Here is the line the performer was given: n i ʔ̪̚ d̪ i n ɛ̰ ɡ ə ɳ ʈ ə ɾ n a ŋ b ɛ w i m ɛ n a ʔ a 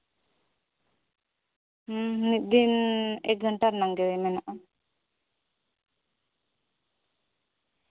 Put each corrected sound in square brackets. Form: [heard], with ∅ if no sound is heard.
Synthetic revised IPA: n i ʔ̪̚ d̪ i n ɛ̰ ɡ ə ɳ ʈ [a] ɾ n a ŋ [ɡ] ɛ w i m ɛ n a ʔ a